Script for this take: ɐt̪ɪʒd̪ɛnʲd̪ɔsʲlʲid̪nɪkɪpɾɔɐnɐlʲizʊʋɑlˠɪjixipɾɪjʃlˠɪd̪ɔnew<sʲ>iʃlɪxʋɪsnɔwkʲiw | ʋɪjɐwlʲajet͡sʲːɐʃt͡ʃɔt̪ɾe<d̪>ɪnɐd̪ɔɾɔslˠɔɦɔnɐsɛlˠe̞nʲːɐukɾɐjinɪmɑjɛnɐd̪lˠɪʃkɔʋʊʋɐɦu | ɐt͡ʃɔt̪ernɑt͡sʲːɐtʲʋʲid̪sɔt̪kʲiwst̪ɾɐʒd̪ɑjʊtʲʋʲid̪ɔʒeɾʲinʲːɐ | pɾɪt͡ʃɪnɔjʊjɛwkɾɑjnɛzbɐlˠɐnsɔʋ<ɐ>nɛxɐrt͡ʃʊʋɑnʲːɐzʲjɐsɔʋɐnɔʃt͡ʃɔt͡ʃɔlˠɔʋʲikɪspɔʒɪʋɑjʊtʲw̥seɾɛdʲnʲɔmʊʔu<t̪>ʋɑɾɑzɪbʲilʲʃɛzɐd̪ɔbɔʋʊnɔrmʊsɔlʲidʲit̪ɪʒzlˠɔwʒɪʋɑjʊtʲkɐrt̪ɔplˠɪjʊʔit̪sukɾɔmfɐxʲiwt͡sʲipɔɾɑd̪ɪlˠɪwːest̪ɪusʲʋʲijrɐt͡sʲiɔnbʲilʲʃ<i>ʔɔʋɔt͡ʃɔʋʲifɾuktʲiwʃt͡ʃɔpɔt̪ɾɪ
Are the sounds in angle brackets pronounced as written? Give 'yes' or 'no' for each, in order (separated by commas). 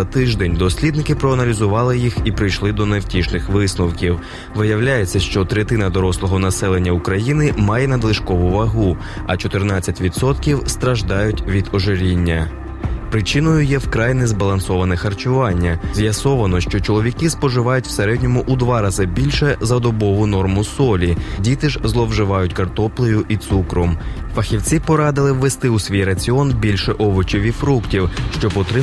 no, no, yes, no, no